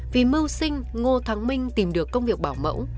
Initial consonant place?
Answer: labial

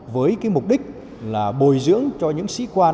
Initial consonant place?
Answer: labial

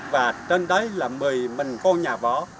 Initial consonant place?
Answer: labial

